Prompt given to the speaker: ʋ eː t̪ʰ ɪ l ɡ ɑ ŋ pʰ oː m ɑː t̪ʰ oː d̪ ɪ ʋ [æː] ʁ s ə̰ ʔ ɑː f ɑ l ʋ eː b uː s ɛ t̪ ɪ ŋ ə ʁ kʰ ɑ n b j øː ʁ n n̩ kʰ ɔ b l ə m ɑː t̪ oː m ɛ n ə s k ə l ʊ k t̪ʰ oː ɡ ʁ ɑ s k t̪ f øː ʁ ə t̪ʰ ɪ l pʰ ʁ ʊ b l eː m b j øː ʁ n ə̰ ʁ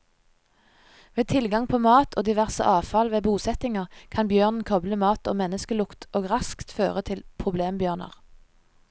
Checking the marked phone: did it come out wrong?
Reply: yes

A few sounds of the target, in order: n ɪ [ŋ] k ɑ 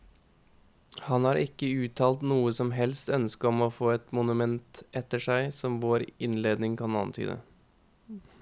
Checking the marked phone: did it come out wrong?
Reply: no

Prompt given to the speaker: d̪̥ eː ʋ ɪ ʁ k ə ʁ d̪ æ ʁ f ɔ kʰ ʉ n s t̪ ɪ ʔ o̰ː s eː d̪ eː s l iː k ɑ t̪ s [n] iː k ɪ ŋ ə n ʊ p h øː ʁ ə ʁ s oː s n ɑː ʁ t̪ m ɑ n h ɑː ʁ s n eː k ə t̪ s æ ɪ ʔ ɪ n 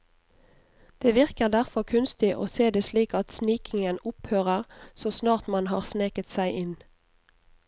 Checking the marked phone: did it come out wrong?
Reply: no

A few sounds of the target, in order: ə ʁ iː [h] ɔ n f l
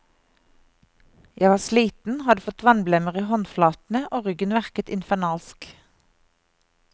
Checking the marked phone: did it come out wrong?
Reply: no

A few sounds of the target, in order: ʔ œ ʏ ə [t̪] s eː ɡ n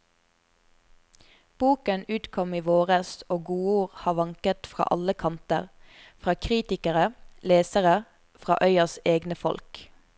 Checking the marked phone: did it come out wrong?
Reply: yes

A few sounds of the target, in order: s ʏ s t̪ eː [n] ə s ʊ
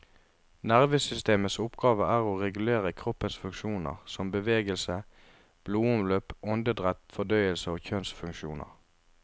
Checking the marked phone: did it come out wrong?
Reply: yes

